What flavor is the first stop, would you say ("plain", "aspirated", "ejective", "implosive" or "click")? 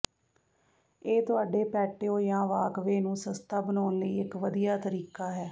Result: plain